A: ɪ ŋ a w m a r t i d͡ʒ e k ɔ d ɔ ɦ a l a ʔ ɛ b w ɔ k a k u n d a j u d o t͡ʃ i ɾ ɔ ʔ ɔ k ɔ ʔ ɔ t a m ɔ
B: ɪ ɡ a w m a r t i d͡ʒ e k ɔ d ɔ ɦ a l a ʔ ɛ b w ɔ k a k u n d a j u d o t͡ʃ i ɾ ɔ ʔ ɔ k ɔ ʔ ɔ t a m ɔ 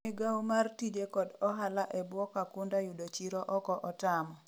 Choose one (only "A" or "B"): B